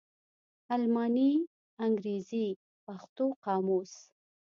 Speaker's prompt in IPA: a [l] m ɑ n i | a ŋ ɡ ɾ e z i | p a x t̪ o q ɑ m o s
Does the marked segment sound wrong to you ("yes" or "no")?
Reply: no